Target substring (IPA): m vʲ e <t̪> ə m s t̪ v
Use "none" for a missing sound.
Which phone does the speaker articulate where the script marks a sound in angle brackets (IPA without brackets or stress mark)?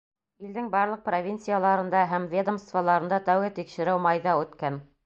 d̪